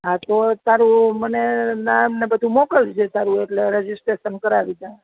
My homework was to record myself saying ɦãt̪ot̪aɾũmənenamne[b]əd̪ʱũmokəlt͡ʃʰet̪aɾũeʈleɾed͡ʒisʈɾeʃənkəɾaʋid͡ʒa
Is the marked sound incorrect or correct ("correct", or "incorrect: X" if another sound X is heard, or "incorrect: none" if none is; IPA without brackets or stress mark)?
correct